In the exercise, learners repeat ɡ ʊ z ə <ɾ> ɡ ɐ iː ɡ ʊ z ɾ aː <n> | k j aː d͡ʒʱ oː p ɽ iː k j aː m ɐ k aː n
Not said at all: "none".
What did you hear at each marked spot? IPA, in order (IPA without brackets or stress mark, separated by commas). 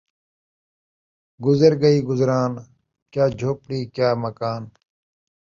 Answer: ɾ, n